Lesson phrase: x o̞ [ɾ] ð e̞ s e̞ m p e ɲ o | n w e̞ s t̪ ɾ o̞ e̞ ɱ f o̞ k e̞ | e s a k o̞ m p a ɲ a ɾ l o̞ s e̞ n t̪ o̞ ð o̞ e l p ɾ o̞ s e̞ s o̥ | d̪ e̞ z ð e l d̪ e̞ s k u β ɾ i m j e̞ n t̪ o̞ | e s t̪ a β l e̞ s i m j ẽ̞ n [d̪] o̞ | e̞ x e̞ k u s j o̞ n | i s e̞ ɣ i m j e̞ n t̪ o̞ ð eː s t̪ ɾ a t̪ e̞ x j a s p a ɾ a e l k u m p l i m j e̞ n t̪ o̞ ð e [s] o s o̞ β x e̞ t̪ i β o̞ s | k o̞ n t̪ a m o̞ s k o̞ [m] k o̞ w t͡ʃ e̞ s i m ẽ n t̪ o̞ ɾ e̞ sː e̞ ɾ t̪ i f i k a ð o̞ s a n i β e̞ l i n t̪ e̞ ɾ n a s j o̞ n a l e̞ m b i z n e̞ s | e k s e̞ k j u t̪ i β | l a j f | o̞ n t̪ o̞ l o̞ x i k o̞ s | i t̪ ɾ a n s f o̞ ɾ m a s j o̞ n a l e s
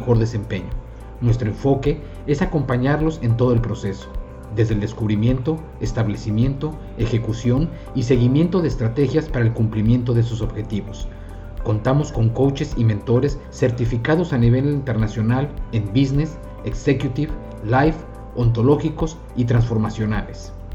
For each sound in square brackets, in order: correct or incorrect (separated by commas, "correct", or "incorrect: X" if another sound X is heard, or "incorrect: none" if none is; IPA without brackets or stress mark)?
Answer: correct, incorrect: t̪, correct, incorrect: ŋ